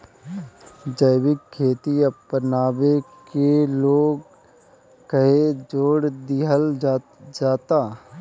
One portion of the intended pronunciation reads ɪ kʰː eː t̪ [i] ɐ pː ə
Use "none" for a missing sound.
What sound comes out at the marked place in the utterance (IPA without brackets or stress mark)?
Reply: i